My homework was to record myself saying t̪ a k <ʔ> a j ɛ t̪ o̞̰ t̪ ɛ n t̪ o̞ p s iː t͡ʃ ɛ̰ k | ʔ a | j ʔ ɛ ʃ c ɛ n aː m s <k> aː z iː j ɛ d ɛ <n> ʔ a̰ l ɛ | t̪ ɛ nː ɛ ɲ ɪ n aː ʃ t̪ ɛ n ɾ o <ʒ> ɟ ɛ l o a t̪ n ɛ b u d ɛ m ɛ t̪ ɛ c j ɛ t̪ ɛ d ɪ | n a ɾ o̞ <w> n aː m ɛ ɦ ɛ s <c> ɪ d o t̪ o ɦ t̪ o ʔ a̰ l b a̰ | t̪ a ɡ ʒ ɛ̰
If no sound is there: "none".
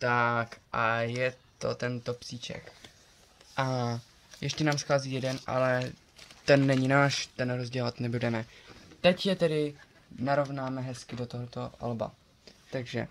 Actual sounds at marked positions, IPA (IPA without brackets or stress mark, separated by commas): ʔ, x, n, z, v, k